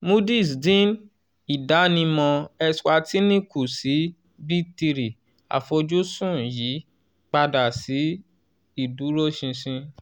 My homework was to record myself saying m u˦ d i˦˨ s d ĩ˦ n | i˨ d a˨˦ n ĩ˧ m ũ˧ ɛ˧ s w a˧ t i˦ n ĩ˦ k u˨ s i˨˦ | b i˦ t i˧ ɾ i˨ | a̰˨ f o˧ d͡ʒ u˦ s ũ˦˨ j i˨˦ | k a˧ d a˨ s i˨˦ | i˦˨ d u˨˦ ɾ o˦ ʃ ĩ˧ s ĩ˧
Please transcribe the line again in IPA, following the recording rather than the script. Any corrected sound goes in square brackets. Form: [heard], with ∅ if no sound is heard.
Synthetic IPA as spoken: m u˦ d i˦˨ s d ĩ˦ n | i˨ d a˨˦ n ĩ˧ m [ɔ̃˧] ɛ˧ s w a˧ t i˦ n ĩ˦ k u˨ s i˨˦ | b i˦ t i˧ ɾ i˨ | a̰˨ f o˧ d͡ʒ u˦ s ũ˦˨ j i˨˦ | [k͡p] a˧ d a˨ s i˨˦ | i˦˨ d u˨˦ ɾ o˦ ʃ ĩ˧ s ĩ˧